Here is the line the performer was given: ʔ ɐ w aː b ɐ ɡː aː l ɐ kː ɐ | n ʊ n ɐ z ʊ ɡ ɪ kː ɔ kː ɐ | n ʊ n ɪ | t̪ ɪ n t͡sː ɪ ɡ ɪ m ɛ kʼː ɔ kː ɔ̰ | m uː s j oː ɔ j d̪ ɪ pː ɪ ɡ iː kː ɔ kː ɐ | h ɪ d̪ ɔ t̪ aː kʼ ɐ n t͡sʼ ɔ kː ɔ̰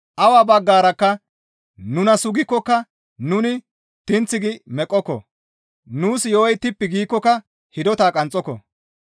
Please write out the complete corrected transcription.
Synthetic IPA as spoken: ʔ ɐ w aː b ɐ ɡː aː ɾ ɐ kː ɐ | n ʊ n ɐ s ʊ ɡ ɪ kː ɔ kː ɐ | n ʊ n ɪ | t̪ ɪ n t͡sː ɪ ɡ ɪ m ɛ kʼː ɔ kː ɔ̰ | n uː s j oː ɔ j t̪ ɪ pː ɪ ɡ iː kː ɔ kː ɐ | h ɪ d̪ ɔ t̪ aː kʼ ɐ n t͡sʼ ɔ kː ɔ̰